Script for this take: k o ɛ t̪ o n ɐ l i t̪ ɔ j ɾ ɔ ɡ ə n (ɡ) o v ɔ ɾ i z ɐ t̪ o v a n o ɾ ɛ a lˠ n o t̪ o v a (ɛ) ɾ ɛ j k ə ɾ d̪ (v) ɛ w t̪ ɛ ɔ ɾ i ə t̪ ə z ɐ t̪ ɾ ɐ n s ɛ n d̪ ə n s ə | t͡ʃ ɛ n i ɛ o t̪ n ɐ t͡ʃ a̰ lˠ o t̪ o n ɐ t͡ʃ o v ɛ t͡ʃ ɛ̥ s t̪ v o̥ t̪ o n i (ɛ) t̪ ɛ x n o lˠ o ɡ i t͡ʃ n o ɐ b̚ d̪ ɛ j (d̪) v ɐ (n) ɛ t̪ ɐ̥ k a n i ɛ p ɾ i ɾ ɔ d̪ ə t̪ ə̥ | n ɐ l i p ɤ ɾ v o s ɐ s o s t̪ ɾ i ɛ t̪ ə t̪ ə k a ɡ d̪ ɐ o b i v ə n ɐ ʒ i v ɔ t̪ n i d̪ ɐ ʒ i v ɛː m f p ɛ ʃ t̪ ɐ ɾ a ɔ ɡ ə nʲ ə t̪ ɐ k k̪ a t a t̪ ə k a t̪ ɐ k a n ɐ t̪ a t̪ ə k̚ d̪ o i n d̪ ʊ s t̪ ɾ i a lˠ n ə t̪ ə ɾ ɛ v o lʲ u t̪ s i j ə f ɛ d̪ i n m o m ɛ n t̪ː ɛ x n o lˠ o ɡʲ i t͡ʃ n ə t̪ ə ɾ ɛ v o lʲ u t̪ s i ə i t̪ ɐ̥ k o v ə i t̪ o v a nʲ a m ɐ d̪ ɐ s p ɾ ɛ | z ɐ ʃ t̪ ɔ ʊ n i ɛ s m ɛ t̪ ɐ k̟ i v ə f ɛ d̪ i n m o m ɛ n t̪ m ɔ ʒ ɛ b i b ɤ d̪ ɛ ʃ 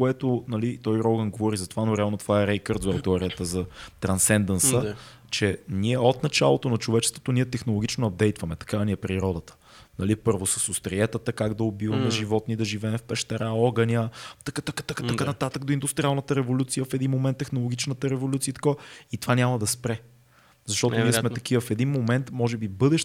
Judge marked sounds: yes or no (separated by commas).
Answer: yes, yes, no, yes, no, no